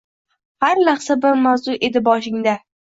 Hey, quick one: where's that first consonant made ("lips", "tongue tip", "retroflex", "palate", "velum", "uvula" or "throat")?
throat